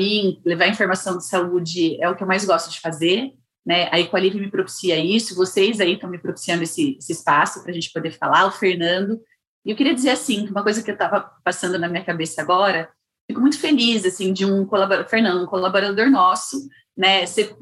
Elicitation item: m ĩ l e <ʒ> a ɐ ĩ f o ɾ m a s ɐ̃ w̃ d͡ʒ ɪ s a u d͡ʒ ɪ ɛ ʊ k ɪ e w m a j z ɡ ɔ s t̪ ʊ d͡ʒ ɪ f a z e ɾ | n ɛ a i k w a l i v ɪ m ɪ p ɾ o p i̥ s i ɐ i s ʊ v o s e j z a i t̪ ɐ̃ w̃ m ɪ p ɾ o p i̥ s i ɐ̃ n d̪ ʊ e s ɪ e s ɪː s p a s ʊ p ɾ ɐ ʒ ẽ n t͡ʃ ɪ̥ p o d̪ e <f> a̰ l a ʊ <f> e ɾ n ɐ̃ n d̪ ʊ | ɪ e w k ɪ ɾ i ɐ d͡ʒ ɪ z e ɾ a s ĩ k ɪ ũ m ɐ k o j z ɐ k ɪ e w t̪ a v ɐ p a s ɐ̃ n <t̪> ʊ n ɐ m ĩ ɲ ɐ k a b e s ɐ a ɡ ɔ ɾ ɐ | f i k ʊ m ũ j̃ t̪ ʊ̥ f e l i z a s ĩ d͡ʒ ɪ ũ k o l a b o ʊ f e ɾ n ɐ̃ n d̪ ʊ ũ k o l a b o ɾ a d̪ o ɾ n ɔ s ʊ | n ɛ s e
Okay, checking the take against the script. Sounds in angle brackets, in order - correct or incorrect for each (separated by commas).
incorrect, correct, correct, incorrect